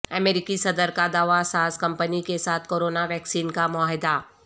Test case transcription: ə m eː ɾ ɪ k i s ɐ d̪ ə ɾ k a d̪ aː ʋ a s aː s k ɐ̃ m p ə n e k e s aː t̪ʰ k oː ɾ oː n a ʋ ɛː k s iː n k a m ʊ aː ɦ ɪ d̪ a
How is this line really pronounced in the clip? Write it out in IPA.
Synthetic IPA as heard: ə m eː ɾ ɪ k i s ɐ d̪ ə ɾ k a d̪ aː ʋ a s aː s k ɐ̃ m p ə n i k e s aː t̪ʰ k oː ɾ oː n a ʋ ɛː k s iː n k a m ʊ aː ɦ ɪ d̪ a